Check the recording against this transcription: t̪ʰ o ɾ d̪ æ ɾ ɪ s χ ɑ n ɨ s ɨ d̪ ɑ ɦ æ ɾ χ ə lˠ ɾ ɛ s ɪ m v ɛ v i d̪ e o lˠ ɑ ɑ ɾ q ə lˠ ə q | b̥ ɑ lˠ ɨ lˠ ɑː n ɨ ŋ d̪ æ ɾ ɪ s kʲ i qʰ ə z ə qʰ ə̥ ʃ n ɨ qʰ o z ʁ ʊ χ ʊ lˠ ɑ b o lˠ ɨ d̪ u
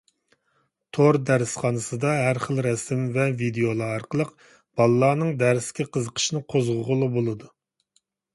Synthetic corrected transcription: t̪ʰ o ɾ d̪ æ ɾ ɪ s χ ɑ n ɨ s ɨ d̪ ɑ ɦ æ ɾ χ ə lˠ ɾ ɛ s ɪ m v ɛ v i d̪ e o lˠ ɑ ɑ ɾ q ə lˠ ə q | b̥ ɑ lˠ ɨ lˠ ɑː n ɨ ŋ d̪ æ ɾ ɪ s kʲ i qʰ ə z ə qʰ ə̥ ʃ n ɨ qʰ o z ʁ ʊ ʁ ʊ lˠ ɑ b o lˠ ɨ d̪ u

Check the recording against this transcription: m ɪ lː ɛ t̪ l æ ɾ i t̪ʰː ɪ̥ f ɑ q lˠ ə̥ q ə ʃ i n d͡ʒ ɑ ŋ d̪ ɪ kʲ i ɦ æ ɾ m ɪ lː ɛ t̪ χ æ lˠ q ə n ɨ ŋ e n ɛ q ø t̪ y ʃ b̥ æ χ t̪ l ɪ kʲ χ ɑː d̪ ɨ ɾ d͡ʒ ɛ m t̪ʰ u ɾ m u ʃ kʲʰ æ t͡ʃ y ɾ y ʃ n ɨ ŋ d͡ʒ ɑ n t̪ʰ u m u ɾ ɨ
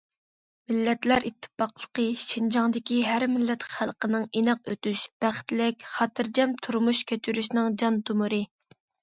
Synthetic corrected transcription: m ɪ lː ɛ t̪ l æ ɾ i t̪ʰː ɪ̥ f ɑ q lˠ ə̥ q ə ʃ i n d͡ʒ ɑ ŋ d̪ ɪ kʲ i ɦ æ ɾ m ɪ lː ɛ t̪ χ æ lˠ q ə n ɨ ŋ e n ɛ q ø t̪ y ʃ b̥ æ χ t̪ l ɪ kʲ χ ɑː t̪ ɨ ɾ d͡ʒ ɛ m t̪ʰ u ɾ m u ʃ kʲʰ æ t͡ʃ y ɾ y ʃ n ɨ ŋ d͡ʒ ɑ n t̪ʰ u m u ɾ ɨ

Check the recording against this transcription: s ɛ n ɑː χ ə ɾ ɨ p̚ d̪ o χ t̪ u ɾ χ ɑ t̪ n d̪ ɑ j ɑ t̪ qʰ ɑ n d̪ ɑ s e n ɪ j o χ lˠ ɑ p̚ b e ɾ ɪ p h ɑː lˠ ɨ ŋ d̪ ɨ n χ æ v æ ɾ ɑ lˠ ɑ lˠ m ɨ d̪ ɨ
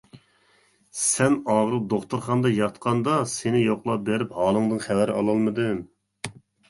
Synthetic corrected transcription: s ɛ n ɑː ʁ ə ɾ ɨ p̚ d̪ o χ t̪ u ɾ χ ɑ n d̪ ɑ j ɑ t̪ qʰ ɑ n d̪ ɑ s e n ɪ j o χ lˠ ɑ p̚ b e ɾ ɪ p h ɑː lˠ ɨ ŋ d̪ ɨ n χ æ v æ ɾ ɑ lˠ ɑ lˠ m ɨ d̪ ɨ

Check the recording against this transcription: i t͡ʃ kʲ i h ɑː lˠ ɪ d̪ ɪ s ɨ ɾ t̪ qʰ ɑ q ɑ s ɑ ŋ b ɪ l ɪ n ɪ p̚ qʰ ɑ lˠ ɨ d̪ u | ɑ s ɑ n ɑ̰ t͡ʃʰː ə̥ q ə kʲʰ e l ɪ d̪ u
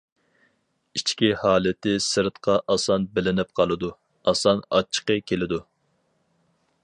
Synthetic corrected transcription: i t͡ʃ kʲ i h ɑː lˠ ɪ t̪ ɪ s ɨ ɾ t̪ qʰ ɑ ʔ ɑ s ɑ n b ɪ l ɪ n ɪ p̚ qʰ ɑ lˠ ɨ d̪ u | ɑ s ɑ n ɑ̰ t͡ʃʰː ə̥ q ə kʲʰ e l ɪ d̪ u

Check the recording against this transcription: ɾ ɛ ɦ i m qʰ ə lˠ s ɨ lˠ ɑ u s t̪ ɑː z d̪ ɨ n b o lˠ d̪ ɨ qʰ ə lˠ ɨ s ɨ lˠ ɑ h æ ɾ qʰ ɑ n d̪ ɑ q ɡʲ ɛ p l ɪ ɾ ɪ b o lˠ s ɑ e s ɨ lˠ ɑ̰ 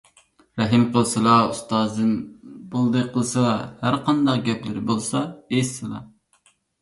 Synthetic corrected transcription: ɾ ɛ ɦ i m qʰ ə lˠ s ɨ lˠ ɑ u s t̪ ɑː z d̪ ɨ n b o lˠ d̪ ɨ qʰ ə lˠ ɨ s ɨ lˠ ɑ h æ ɾ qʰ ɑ n d̪ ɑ q ɡʲ ɛ p l ɪ ɾ ɪ b o lˠ s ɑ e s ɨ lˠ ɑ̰

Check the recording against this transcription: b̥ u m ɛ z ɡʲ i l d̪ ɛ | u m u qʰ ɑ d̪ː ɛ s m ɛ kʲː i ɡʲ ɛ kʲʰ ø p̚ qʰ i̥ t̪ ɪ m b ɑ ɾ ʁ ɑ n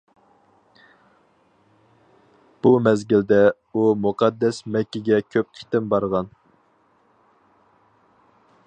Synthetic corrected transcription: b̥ u m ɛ z ɡʲ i l d̪ ɛ | u m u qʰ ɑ d̪ː ɛ s m ɛ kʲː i ɡʲ ɛ kʲʰ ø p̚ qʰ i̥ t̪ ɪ m b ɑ ɾ ʁ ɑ n

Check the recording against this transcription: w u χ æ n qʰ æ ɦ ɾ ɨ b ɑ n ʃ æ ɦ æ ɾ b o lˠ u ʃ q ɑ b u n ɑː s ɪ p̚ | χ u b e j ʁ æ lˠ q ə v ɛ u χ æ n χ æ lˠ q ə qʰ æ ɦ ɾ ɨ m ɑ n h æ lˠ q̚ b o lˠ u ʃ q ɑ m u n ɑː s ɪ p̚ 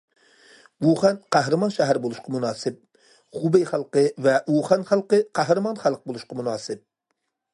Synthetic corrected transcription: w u χ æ n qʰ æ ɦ ɾ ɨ m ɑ n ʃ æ ɦ æ ɾ b o lˠ u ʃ q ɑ m u n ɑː s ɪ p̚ | χ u b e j χ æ lˠ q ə v ɛ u χ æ n χ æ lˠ q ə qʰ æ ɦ ɾ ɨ m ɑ n χ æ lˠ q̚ b o lˠ u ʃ q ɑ m u n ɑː s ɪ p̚

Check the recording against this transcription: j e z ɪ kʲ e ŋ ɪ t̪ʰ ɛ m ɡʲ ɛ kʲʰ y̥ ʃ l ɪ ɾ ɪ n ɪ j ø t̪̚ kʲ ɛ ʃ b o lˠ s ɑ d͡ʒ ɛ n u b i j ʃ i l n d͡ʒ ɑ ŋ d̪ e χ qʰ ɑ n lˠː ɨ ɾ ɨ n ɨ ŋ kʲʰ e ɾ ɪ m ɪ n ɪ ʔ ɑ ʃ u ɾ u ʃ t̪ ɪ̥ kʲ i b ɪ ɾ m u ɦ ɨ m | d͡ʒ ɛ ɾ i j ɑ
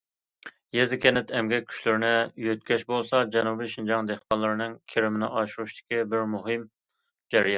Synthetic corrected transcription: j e z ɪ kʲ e n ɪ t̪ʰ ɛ m ɡʲ ɛ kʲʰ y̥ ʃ l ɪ ɾ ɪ n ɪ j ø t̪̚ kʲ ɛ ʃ b o lˠ s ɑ d͡ʒ ɛ n u b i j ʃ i n d͡ʒ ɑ ŋ d̪ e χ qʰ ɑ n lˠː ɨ ɾ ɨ n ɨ ŋ kʲʰ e ɾ ɪ m ɪ n ɪ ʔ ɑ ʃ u ɾ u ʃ t̪ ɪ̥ kʲ i b ɪ ɾ m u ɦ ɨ m | d͡ʒ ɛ ɾ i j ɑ

